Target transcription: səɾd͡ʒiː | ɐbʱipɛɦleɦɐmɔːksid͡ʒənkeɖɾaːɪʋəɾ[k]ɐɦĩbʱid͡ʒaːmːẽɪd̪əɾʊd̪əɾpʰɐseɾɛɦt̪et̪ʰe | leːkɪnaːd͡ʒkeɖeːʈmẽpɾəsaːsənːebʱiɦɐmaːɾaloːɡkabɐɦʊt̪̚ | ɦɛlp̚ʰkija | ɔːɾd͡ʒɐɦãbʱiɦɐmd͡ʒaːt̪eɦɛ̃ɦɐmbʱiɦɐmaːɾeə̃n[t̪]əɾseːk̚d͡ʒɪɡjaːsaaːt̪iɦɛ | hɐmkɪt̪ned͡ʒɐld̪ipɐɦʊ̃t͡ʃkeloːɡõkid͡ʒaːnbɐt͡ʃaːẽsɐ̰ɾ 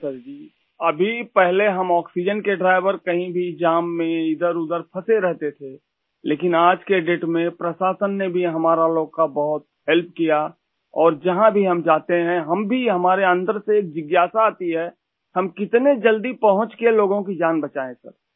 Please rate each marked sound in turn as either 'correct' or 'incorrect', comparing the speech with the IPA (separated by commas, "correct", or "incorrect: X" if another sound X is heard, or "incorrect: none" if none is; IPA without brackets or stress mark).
correct, incorrect: d̪